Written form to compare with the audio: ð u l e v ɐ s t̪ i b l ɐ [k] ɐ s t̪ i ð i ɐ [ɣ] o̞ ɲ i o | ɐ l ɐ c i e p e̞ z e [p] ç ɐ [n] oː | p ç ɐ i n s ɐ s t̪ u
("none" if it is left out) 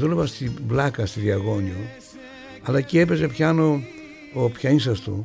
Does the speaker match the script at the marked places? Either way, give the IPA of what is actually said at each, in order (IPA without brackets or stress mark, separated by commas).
k, ɣ, p, n